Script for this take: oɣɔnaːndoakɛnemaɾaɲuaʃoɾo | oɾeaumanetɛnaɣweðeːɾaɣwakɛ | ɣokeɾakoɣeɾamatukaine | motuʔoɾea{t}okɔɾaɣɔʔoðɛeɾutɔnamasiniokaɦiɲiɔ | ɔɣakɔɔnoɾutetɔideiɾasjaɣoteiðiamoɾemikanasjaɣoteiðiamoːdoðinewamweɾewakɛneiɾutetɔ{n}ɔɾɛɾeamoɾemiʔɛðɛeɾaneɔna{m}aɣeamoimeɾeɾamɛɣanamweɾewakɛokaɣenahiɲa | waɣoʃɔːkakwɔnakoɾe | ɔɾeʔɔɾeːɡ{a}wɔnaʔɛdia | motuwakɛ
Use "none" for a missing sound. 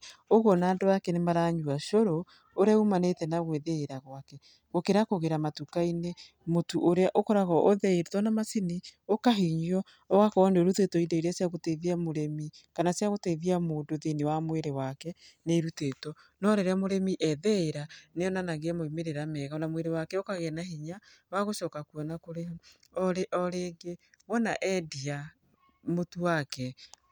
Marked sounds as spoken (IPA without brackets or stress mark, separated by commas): ʔ, n, n, e